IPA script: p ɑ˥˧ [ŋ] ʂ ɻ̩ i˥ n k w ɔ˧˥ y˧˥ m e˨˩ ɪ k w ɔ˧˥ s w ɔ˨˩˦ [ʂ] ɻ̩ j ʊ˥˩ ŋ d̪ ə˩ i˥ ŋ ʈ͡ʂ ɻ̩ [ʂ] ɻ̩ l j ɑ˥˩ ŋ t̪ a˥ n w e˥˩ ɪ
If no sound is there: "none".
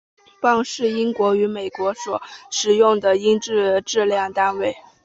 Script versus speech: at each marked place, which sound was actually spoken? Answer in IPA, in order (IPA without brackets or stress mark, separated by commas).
ŋ, ʂ, ʈ͡ʂ